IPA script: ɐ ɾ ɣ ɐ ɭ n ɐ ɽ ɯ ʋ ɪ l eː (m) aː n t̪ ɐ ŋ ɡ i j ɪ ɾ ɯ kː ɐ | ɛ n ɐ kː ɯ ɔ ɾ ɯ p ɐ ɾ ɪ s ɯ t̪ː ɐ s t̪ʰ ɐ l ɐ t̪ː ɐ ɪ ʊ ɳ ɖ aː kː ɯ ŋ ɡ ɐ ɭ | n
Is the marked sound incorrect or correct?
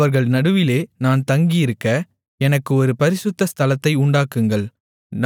incorrect